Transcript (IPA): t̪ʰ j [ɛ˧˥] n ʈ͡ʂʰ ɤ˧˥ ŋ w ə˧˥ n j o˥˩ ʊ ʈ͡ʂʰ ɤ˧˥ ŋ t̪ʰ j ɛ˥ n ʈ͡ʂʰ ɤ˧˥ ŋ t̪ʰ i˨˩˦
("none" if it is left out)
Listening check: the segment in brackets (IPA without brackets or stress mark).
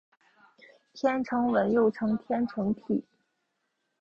ɛ˥